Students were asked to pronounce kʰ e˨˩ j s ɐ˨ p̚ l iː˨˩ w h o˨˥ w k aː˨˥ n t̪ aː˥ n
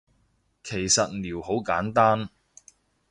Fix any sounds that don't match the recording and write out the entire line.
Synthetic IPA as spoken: kʰ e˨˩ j s ɐ˨ t̚ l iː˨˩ w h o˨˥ w k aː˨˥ n t̪ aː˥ n